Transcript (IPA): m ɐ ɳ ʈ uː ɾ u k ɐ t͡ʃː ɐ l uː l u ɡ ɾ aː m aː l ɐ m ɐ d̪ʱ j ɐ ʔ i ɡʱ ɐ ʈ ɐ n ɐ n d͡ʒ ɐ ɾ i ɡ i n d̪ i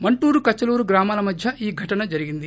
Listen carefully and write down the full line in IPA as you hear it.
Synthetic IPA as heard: m ɐ ɳ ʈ uː ɾ u k ɐ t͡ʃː ɐ l uː ɾ u ɡ ɾ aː m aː l ɐ m ɐ d̪ʱ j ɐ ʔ iː ɡʱ ɐ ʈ ɐ n ɐ d͡ʒ ɐ ɾ i ɡ i n d̪ i